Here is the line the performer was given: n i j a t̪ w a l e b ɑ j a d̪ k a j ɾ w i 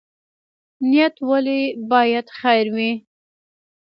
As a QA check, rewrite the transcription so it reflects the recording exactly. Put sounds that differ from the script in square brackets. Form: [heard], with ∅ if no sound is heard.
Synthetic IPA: n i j a t̪ w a l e b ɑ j a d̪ [x] a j ɾ w i